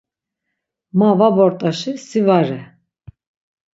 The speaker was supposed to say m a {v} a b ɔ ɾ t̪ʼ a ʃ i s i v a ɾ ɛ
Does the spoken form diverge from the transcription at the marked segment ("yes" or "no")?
no